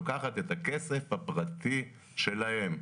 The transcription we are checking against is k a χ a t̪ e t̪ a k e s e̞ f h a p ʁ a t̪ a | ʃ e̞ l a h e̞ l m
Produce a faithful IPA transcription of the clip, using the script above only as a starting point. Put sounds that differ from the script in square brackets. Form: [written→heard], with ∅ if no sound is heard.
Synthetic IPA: k a χ a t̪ e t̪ a k e s e̞ f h a p ʁ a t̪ [a→i] | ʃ e̞ l a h e̞ [l→∅] m